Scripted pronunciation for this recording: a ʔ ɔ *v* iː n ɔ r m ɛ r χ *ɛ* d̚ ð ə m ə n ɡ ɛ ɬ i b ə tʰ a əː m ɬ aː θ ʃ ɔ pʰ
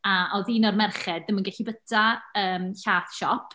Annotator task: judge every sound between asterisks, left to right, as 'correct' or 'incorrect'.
incorrect: ð, correct

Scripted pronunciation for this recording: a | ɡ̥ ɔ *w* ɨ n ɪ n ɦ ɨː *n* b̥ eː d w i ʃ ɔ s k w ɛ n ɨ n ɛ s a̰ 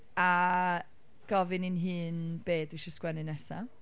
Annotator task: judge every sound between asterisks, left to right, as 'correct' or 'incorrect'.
incorrect: v, correct

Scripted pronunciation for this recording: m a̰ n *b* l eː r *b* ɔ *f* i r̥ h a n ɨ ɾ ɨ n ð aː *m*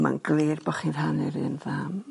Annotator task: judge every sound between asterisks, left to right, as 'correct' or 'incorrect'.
incorrect: ɡ, correct, incorrect: χ, correct

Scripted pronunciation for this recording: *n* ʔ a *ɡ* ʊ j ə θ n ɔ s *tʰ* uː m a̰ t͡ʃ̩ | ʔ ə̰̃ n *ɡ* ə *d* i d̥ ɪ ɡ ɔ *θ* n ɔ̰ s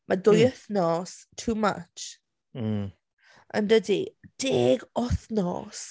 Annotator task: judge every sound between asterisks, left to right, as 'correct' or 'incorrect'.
incorrect: m, incorrect: d, correct, incorrect: d, correct, correct

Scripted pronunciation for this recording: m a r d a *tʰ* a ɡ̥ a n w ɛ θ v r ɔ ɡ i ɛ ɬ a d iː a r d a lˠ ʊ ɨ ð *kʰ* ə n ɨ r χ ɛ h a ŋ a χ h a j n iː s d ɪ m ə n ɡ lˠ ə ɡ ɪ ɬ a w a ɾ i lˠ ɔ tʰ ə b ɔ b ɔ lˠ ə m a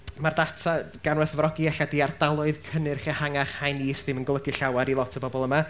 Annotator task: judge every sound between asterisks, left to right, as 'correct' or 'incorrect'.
correct, correct

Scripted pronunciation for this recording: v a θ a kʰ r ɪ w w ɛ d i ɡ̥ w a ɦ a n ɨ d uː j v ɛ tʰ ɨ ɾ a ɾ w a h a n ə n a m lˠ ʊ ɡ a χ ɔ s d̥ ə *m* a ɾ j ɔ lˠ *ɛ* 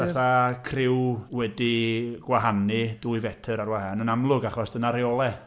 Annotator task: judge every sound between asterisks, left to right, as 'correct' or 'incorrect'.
incorrect: n, correct

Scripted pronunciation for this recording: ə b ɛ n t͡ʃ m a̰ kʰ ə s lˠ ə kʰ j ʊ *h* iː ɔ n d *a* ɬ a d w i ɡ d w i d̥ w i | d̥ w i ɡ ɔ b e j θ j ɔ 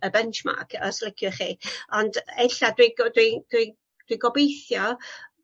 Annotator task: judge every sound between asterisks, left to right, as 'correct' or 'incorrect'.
incorrect: χ, incorrect: ɛ

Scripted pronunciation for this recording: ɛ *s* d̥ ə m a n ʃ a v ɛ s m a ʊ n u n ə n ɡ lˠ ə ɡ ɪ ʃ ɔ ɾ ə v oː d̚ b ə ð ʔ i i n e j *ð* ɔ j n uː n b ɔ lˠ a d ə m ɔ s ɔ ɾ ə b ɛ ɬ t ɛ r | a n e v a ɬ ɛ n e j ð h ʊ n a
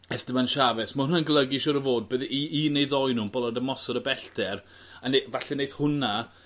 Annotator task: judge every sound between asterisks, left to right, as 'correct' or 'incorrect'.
correct, correct

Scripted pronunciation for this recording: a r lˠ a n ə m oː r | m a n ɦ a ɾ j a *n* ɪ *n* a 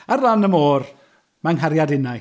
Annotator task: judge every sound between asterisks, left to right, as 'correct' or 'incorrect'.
incorrect: d, correct

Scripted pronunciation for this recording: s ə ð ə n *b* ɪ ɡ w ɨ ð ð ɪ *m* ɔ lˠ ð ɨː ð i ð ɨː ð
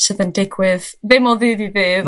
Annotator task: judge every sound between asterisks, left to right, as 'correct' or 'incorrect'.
incorrect: d, correct

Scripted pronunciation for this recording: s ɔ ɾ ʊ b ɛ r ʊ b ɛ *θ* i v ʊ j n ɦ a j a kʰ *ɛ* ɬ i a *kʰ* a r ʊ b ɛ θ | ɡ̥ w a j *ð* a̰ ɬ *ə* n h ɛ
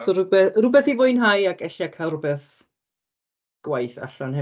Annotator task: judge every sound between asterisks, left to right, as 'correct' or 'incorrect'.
correct, correct, correct, incorrect: θ, incorrect: a

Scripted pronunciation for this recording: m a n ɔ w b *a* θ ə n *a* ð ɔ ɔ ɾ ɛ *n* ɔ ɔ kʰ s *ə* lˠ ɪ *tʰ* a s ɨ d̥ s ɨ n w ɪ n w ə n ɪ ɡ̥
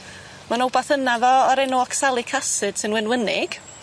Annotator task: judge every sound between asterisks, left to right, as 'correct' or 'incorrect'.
correct, correct, correct, incorrect: a, incorrect: kʰ

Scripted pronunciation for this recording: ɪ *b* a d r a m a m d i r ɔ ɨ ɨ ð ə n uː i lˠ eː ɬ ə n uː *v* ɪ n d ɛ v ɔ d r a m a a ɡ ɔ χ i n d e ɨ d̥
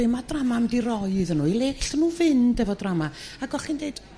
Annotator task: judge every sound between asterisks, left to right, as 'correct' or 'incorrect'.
incorrect: m, correct

